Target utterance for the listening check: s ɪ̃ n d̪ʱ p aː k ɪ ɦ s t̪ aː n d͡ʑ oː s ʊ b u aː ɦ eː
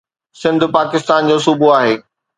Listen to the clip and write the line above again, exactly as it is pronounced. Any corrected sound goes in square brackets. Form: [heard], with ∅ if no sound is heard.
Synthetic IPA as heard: s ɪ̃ n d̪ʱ p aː k ɪ [∅] s t̪ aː n d͡ʑ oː s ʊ b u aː ɦ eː